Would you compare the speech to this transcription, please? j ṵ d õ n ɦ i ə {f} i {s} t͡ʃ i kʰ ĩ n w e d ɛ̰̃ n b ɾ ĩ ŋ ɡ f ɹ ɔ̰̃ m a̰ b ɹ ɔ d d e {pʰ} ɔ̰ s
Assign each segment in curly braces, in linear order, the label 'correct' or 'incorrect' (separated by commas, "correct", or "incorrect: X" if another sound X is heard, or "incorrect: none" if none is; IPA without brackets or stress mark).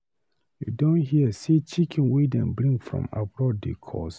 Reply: incorrect: s, incorrect: none, incorrect: kʰ